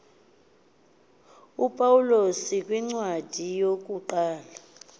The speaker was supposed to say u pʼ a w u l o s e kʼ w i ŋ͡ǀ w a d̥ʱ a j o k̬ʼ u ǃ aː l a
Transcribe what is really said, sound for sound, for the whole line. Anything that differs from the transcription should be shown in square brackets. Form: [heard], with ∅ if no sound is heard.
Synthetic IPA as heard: u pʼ a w u l o s [i] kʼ w i ŋ͡ǀ w a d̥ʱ [i] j o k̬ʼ u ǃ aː l a